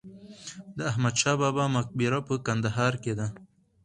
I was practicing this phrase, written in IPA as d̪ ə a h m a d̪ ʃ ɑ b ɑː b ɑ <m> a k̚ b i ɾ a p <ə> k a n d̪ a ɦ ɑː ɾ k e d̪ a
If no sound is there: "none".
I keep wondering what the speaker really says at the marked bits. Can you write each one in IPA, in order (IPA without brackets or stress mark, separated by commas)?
m, ə